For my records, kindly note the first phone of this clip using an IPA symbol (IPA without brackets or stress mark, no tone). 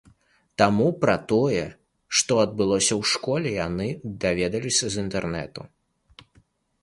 t̪